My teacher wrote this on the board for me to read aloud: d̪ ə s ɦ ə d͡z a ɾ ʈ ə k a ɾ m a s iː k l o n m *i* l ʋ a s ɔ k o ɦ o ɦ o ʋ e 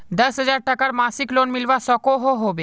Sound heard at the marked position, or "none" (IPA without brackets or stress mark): i